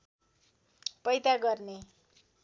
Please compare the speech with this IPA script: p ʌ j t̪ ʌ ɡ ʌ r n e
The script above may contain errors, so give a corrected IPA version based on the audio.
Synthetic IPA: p ʌ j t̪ a ɡ ʌ r n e